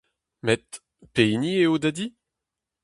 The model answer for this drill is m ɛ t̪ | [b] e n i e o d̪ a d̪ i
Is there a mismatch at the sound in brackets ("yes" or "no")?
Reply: yes